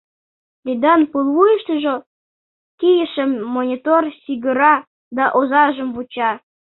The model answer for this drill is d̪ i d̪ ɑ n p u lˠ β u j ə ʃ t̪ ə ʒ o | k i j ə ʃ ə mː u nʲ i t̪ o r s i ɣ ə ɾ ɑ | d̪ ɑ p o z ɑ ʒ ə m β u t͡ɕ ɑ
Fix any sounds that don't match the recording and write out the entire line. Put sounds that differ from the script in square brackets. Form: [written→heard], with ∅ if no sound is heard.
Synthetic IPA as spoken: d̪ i d̪ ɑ n p u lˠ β u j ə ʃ t̪ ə ʒ o | k i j ə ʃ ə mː [u→o] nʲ i t̪ o r s i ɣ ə ɾ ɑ | d̪ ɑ [p→ʔ] o z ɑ ʒ ə m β u t͡ɕ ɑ